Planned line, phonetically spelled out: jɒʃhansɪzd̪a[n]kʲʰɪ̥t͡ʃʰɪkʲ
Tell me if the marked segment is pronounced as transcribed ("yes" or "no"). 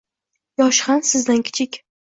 yes